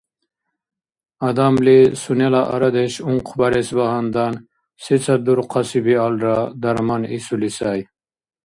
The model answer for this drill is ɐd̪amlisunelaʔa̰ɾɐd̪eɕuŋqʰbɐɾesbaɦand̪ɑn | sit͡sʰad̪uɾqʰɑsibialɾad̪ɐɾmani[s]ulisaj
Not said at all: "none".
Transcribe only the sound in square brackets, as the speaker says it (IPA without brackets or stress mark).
s